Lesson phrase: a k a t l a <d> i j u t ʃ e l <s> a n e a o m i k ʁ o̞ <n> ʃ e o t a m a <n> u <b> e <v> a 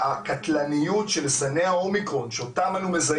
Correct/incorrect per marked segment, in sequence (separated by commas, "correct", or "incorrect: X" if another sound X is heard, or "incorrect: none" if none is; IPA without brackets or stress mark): incorrect: n, correct, correct, correct, incorrect: m, incorrect: z